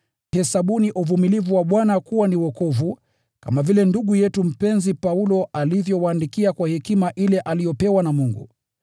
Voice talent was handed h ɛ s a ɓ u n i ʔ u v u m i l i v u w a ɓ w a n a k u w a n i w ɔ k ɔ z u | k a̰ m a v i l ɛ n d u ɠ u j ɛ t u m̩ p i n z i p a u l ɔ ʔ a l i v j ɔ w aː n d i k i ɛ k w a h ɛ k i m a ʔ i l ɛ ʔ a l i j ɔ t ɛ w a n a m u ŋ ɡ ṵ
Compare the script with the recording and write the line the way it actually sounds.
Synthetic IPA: h ɛ s a ɓ u n i ʔ u v u m i l i v u w a ɓ w a n a k u w a n i w ɔ k ɔ v u | k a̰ m a v i l ɛ n d u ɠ u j ɛ t u m̩ p ɛ n z i p a u l ɔ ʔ a l i v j ɔ w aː n d i k i a k w a h ɛ k i m a ʔ i l ɛ ʔ a l i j ɔ p ɛ w a n a m u ŋ ɡ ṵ